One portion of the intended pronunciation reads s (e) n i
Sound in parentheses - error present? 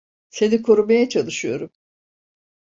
no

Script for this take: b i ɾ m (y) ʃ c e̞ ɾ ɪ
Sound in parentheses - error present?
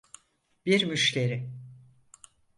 no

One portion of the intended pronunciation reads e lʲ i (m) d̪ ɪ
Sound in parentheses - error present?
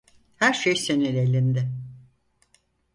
yes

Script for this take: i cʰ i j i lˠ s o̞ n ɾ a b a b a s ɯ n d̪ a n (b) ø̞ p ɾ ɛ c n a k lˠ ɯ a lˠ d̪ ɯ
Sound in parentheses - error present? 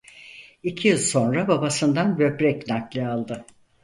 no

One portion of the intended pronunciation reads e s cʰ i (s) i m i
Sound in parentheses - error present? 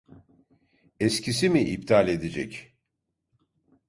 no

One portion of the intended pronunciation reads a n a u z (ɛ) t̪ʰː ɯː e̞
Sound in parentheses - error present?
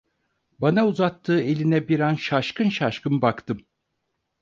yes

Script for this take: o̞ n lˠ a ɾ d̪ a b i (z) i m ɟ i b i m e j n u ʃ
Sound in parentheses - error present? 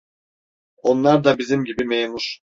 no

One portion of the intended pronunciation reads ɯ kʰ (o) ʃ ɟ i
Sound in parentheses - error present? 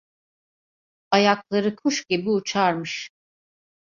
yes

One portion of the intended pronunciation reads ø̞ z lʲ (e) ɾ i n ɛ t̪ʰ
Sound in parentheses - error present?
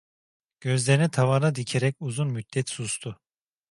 no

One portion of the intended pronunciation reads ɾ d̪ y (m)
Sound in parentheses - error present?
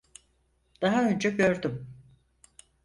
no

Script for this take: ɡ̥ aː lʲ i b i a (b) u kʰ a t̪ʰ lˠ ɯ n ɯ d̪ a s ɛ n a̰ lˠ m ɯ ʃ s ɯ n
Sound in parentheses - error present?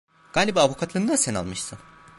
yes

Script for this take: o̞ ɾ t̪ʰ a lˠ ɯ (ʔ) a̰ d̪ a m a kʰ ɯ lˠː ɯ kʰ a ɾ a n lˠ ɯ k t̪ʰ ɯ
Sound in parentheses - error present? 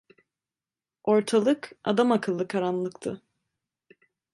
yes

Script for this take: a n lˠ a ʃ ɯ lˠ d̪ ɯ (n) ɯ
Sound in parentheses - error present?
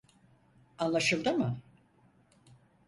yes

